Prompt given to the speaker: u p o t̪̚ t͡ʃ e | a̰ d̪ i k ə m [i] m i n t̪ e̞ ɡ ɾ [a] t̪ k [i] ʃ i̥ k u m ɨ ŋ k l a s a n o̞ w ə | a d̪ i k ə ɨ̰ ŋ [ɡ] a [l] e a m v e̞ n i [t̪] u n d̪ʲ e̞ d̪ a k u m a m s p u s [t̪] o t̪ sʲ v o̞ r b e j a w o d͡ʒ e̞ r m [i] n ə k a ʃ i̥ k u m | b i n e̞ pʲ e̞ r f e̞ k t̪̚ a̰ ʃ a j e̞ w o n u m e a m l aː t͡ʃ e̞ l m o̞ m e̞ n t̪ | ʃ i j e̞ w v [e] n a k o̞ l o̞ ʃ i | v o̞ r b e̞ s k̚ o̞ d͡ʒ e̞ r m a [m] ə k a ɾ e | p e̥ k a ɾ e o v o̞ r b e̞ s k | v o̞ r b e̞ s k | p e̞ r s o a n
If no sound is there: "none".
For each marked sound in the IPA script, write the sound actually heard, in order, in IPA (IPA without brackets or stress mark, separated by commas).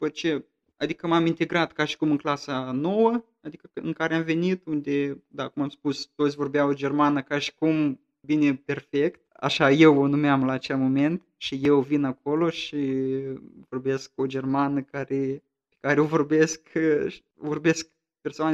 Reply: a, a, a, k, ɾ, t̪, t̪, a, i, n